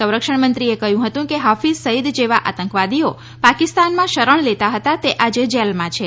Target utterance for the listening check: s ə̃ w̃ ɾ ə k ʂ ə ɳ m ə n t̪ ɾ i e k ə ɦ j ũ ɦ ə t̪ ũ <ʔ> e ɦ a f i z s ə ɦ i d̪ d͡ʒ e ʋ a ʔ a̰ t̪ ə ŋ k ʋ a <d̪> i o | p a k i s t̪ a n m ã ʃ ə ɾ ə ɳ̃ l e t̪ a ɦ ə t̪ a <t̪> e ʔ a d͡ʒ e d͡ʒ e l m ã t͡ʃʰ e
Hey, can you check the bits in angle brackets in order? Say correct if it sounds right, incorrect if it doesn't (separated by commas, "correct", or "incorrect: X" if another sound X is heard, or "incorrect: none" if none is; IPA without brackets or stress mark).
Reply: incorrect: k, correct, correct